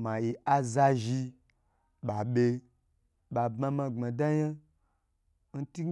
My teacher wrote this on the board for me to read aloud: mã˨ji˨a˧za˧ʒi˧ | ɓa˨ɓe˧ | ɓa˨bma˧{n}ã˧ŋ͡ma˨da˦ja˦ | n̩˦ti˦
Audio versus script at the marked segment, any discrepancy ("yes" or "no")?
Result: yes